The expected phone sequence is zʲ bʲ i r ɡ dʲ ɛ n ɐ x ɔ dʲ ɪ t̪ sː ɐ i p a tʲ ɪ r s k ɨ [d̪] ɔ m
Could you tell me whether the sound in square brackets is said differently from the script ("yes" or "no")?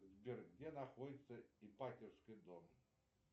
no